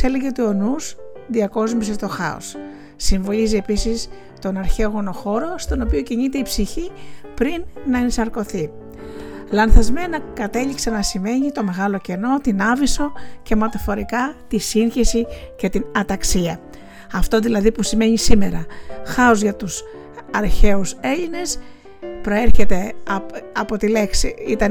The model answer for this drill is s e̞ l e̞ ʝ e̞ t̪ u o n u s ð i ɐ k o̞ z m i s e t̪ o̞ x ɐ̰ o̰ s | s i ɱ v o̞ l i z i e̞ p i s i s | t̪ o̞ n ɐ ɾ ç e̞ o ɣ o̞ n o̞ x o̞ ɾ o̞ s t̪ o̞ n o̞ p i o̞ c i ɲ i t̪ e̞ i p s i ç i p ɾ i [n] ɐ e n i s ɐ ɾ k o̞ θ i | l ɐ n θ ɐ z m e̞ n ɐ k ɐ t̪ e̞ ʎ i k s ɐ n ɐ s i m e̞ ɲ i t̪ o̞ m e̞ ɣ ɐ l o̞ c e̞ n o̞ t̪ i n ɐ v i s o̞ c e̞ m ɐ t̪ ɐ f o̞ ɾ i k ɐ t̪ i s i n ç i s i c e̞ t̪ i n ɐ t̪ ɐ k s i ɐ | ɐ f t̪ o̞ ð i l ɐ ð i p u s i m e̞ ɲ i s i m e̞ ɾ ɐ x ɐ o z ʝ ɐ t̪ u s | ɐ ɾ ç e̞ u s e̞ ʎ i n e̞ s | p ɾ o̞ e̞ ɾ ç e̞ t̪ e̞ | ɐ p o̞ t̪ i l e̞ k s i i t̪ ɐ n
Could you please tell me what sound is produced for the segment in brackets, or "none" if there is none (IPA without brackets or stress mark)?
nː